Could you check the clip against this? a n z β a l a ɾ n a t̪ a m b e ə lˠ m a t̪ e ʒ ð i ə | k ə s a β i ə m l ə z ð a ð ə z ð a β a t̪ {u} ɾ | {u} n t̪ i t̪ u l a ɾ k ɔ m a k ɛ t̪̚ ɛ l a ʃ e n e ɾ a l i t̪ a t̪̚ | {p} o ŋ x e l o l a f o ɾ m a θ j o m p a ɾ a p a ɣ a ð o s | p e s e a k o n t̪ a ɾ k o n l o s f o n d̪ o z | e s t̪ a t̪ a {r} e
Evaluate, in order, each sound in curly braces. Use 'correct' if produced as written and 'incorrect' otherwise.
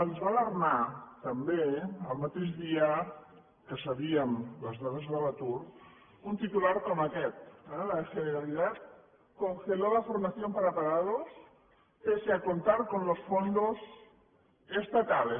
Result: correct, correct, incorrect, incorrect

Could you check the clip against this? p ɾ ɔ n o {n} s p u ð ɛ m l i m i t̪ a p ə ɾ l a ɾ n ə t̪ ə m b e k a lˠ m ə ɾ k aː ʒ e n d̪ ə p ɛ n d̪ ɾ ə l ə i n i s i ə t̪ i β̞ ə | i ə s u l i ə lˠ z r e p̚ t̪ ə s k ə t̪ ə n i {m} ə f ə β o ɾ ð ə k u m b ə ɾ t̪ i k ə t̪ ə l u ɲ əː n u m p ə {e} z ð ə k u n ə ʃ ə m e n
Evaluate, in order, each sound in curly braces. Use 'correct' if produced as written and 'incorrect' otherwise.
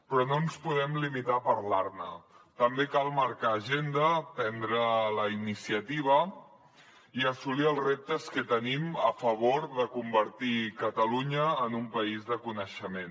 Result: correct, correct, incorrect

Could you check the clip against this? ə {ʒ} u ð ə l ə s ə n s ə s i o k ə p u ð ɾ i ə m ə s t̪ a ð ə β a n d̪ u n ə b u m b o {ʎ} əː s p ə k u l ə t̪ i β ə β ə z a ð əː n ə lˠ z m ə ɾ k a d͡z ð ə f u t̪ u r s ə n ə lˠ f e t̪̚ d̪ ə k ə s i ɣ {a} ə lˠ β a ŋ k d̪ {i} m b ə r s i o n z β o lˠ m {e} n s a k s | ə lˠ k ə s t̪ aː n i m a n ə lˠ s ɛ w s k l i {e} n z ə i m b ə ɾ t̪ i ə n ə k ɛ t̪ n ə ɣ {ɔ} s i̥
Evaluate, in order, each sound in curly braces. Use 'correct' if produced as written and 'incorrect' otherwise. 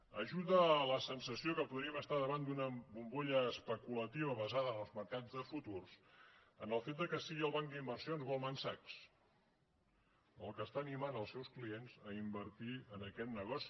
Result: correct, correct, incorrect, correct, incorrect, correct, correct

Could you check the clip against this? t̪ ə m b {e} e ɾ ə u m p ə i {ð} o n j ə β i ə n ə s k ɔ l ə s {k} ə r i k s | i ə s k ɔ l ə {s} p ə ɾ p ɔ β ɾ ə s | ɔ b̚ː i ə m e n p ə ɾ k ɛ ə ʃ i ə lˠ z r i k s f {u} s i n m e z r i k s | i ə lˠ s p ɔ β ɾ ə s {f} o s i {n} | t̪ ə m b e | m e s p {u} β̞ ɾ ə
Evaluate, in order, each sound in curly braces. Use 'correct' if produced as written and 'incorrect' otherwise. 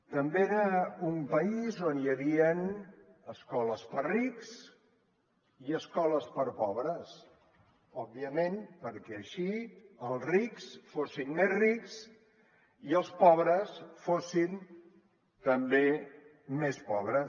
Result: correct, incorrect, incorrect, correct, incorrect, correct, correct, incorrect

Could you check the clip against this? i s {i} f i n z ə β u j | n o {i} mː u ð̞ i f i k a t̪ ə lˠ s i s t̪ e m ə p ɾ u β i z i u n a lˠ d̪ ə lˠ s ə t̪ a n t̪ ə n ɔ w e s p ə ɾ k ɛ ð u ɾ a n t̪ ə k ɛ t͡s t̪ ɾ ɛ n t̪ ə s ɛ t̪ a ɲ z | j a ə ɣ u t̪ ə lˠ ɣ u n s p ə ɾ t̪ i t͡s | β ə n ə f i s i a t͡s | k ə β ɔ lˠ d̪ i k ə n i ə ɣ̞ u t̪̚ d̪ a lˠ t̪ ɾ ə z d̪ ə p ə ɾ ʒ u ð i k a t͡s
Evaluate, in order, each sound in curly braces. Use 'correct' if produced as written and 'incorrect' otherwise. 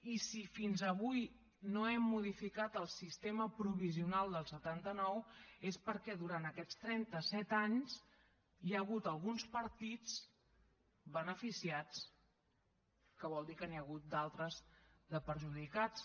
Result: correct, incorrect

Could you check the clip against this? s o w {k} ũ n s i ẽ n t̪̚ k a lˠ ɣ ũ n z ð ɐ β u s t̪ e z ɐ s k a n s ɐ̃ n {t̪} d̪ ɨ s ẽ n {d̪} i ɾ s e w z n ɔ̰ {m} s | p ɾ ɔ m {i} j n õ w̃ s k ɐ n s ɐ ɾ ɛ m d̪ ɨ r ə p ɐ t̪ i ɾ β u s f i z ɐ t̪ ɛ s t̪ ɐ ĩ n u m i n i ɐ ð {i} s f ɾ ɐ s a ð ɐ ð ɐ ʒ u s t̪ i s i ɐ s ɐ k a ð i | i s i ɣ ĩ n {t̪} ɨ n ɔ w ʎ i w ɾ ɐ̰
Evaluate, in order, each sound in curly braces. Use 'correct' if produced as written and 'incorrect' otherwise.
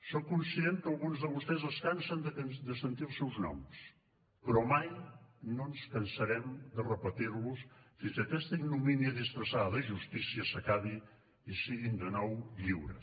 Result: correct, incorrect, incorrect, correct, incorrect, correct, incorrect

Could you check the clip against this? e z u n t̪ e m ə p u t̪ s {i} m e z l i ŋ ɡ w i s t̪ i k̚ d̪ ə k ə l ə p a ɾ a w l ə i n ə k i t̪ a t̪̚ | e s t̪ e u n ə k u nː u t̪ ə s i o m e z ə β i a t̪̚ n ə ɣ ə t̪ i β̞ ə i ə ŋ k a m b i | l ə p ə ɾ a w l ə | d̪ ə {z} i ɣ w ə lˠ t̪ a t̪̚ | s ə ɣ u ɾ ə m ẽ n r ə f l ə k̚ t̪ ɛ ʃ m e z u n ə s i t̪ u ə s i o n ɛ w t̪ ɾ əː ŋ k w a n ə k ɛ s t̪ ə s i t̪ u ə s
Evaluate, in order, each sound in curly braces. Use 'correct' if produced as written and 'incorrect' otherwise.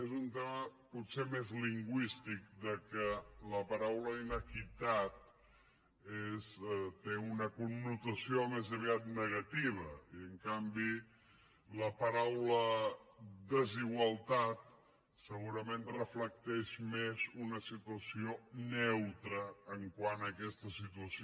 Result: incorrect, correct

